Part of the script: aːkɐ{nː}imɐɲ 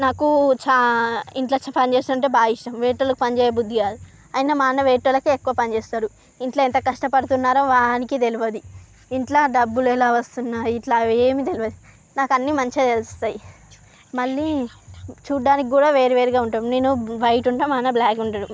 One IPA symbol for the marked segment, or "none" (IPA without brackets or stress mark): nː